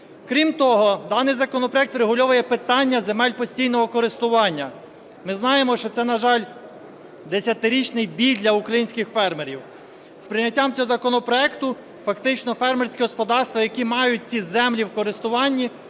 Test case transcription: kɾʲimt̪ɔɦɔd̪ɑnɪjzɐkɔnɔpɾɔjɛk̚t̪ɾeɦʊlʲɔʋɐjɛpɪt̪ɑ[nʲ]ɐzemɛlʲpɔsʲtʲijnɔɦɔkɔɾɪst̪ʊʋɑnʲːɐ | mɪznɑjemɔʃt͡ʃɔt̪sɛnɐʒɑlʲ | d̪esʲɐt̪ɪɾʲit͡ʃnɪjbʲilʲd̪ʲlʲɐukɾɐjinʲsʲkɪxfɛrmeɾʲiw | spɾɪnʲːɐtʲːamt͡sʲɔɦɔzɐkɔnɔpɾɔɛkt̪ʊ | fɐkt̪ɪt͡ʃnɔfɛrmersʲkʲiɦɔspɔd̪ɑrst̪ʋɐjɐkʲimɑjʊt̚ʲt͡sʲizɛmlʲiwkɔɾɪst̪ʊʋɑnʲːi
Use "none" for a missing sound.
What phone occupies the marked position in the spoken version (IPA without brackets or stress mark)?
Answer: nʲː